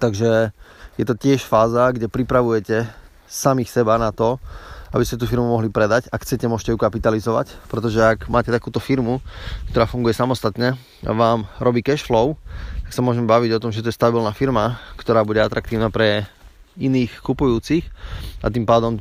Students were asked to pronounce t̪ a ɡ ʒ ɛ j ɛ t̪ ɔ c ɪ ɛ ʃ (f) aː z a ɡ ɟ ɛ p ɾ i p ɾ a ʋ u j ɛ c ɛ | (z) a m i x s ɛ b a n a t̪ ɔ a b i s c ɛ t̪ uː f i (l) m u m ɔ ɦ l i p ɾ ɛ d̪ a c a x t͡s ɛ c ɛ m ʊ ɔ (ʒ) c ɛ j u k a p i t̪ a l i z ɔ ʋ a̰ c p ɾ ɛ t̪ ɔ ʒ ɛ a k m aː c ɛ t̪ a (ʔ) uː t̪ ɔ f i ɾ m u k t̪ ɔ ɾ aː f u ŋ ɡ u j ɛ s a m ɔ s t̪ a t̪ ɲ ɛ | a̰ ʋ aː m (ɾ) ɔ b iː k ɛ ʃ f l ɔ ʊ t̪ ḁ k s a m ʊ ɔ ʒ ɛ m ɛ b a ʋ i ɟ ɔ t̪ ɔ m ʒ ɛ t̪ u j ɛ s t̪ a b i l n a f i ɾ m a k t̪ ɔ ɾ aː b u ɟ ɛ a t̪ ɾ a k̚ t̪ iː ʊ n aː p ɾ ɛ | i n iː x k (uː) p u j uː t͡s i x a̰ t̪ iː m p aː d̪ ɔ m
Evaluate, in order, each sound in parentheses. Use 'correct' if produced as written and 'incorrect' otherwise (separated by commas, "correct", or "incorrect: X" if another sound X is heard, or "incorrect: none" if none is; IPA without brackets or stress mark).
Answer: correct, incorrect: s, incorrect: ɾ, incorrect: ʃ, incorrect: k, correct, incorrect: u